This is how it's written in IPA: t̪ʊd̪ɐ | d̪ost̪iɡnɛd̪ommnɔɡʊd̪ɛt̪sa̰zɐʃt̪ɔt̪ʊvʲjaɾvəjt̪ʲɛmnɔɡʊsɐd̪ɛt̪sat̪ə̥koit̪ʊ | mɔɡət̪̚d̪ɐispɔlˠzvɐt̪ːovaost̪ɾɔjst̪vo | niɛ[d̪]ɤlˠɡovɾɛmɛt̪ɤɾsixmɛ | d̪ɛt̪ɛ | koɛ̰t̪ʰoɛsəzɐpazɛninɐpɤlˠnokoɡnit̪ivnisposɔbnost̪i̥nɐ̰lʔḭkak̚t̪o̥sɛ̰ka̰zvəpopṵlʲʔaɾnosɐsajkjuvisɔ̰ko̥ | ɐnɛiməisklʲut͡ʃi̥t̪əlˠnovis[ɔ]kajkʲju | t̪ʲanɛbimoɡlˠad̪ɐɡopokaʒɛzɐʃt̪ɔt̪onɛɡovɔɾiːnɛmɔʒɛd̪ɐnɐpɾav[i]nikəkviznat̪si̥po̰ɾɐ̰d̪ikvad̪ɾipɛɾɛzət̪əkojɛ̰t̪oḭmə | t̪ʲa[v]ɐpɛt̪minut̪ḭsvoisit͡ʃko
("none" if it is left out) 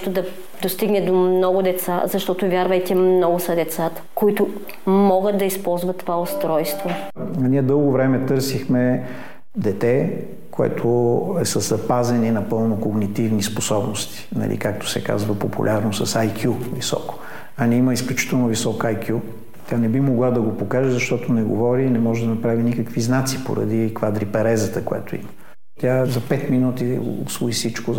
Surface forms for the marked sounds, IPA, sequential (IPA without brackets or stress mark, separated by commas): d̪, ɔ, i, z